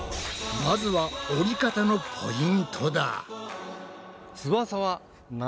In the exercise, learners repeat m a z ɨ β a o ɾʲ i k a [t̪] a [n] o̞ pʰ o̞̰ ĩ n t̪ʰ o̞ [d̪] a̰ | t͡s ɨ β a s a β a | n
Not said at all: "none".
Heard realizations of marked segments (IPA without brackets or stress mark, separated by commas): t̪, n, d̪